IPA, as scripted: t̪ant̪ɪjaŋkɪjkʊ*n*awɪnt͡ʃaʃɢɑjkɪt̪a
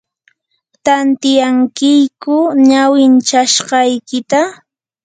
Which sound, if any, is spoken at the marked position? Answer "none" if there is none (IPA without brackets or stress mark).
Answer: ɲ